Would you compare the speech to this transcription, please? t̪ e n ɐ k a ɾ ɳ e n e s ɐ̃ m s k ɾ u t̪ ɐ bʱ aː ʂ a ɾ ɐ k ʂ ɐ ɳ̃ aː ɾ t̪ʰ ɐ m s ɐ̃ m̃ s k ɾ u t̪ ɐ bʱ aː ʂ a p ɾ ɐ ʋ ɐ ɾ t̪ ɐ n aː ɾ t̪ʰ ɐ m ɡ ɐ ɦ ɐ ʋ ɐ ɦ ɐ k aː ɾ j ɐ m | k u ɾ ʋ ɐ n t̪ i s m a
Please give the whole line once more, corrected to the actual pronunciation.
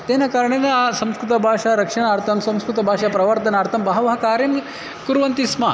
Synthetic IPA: t̪ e n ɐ k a ɾ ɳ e n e s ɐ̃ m s k ɾ u t̪ ɐ bʱ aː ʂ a ɾ ɐ k ʂ ɐ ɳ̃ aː ɾ t̪ʰ ɐ m s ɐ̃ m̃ s k ɾ u t̪ ɐ bʱ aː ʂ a p ɾ ɐ ʋ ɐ ɾ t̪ ɐ n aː ɾ t̪ʰ ɐ m b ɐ ɦ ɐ ʋ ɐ ɦ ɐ k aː ɾ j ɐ m | k u ɾ ʋ ɐ n t̪ i s m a